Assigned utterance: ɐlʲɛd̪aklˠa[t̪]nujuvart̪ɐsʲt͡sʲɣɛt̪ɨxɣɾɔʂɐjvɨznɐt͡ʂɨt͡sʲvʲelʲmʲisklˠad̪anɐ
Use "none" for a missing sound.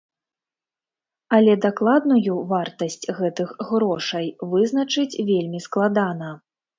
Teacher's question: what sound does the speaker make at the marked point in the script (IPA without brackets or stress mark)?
d̪